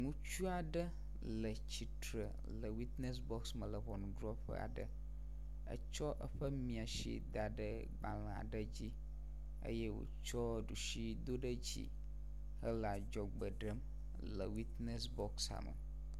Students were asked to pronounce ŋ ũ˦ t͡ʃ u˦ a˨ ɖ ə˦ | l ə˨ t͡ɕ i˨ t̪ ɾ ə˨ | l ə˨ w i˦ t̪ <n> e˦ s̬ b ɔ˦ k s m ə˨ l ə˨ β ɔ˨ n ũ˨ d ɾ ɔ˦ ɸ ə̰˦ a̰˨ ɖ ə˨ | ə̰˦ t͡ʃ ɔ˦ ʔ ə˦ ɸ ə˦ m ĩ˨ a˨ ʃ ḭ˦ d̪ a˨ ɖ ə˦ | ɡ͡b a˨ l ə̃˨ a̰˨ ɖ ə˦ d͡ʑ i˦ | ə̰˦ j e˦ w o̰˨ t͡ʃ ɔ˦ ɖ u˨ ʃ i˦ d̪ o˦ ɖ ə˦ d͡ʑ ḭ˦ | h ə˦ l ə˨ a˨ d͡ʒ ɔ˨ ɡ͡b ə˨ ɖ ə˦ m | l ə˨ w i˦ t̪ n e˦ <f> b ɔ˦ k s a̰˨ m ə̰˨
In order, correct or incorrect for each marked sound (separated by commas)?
correct, incorrect